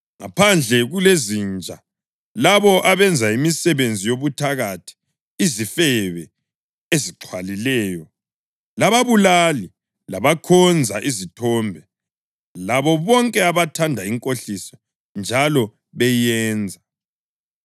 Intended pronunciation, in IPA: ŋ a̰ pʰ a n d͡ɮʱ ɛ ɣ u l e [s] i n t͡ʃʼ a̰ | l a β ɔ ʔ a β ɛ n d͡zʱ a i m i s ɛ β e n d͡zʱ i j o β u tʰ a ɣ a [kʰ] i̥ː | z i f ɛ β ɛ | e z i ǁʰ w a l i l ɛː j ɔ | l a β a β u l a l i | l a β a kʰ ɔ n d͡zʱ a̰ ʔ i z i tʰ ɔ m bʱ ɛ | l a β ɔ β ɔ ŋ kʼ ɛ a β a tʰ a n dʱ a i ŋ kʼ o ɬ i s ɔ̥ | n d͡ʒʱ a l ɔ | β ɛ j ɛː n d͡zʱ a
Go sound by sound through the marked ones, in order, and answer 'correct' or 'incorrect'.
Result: incorrect: z, incorrect: tʰ

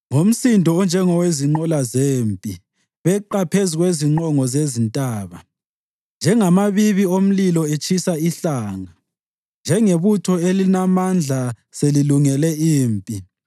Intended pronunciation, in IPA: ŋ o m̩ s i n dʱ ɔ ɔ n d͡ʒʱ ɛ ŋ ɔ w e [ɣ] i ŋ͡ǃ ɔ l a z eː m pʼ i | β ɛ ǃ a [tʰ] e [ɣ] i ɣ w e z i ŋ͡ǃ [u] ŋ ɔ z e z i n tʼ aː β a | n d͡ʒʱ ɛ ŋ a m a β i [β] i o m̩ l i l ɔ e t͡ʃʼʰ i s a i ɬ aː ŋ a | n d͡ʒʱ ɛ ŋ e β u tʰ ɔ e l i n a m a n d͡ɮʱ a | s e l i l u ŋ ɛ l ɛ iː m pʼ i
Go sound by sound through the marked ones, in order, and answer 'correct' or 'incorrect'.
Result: incorrect: z, incorrect: pʰ, incorrect: z, incorrect: ɔ, correct

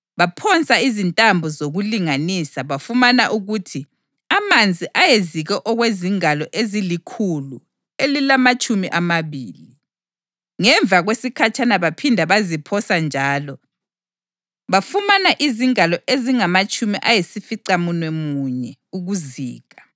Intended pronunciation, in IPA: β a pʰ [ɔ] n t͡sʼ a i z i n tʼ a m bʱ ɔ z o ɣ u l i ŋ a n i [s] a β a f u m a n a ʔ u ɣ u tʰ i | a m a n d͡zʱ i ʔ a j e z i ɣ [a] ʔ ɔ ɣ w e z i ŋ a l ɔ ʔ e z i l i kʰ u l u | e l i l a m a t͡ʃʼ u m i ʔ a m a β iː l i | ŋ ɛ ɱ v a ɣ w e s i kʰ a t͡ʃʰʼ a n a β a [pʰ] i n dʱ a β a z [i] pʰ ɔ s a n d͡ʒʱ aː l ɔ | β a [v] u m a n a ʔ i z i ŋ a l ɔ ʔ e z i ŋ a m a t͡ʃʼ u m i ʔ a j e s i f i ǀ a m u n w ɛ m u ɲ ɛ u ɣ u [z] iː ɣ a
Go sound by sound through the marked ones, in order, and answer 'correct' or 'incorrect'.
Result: correct, correct, incorrect: ɛ, correct, correct, incorrect: f, correct

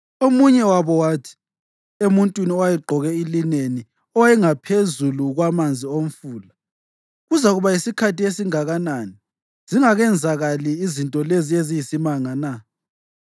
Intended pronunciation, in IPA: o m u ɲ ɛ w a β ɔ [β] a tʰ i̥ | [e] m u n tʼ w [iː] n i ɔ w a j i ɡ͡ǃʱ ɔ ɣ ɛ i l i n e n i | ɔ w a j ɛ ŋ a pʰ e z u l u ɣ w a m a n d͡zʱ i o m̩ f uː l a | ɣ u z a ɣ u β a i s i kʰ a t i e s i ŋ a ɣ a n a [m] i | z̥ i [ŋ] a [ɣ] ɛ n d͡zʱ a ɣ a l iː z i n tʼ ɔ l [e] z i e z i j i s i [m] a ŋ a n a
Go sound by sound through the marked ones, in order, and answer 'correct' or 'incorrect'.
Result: incorrect: w, correct, incorrect: i, incorrect: n, correct, correct, correct, correct

